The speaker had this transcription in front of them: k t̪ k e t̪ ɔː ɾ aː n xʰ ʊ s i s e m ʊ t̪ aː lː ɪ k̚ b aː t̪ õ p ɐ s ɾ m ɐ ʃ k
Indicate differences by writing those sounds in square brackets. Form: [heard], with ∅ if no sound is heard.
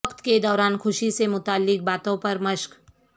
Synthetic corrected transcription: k t̪ k e [d̪] ɔː ɾ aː n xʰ ʊ [ʃ] i s e m ʊ t̪ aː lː ɪ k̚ b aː t̪ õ p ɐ [∅] ɾ m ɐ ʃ k